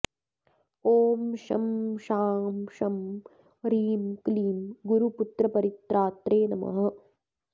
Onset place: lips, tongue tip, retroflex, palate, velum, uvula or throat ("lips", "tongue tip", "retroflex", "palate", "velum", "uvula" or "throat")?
lips